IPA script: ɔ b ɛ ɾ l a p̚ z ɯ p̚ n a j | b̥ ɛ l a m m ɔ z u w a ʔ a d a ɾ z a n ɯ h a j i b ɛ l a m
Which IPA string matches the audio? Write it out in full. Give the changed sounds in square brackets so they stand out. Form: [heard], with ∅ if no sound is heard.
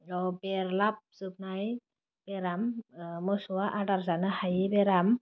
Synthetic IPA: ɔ b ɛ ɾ l a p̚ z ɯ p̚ n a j | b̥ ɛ [ɾ] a m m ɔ [s] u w a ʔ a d a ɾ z a n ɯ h a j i b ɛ [ɾ] a m